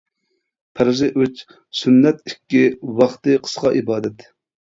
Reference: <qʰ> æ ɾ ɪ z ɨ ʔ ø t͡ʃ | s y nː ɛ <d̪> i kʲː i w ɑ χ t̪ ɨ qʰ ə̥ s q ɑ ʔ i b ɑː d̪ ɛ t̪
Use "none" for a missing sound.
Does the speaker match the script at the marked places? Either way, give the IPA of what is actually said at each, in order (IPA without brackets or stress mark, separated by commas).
pʰ, t̪